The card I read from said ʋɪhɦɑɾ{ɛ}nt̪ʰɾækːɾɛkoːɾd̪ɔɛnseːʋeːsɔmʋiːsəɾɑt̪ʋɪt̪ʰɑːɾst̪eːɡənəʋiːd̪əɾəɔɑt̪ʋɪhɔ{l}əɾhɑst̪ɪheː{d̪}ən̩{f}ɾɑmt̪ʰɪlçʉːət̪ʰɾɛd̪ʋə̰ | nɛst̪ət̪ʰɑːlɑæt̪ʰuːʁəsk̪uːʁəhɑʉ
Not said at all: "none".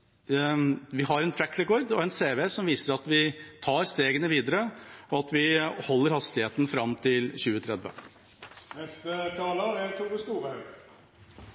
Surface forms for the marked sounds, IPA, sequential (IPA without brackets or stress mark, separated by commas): ɛ, lː, t̪, f